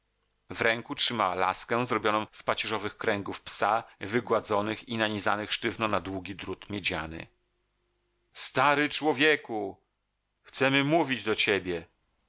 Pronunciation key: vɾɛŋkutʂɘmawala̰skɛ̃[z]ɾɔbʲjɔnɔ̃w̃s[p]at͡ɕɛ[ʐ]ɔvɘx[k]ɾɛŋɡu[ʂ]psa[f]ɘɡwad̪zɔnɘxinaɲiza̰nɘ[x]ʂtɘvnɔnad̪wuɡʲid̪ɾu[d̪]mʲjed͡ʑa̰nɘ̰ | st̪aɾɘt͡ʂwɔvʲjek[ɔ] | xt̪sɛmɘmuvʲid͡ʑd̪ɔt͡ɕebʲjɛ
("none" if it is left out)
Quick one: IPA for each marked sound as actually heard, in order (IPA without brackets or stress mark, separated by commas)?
z, p, ʐ, k, f, v, x, t̪, u